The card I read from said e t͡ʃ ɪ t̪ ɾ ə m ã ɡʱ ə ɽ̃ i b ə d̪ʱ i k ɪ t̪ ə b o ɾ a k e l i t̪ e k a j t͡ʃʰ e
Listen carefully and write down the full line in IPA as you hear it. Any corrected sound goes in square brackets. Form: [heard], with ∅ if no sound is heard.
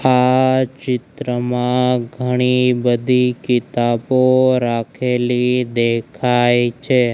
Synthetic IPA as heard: [a] t͡ʃ ɪ t̪ ɾ ə m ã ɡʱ ə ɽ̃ i b ə d̪ʱ i k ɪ t̪ [a] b o ɾ a [kʰ] e l i [d̪] e [kʰ] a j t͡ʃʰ e

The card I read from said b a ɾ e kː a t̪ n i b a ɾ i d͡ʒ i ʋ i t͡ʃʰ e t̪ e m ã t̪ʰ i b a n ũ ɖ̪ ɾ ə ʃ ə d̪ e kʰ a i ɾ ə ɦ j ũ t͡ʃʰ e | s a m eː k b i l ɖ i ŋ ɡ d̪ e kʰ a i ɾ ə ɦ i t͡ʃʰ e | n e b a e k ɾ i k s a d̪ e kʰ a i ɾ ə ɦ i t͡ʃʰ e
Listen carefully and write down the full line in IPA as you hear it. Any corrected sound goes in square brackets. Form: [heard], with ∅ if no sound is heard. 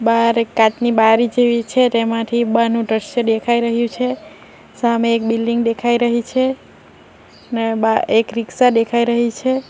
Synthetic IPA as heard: b a ɾ e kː a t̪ n i b a ɾ i d͡ʒ [e] ʋ i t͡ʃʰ e t̪ e m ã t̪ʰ i b a n ũ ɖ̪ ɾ ə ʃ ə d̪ e kʰ a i ɾ ə ɦ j ũ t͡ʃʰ e | s a m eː k b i l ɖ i ŋ ɡ d̪ e kʰ a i ɾ ə ɦ i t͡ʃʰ e | n e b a e k ɾ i k s a d̪ e kʰ a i ɾ ə ɦ i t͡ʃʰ e

